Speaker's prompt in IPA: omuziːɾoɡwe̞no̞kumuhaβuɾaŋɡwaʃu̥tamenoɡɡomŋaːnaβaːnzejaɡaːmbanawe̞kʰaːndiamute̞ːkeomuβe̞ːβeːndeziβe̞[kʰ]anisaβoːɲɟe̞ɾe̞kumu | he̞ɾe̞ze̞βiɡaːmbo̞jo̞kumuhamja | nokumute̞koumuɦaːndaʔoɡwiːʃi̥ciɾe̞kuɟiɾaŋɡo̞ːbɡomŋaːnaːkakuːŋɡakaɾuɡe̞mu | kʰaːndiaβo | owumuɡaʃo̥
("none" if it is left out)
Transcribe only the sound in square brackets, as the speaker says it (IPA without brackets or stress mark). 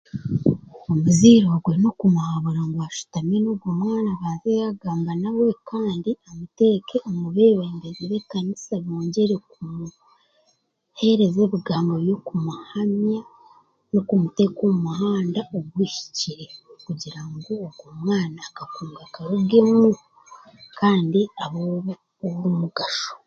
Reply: k